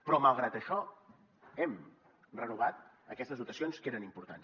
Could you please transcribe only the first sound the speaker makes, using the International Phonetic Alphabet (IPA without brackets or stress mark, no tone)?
p